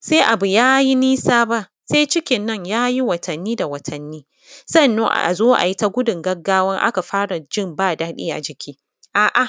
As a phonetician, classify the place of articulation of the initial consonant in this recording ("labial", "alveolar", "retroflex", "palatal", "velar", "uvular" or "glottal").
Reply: alveolar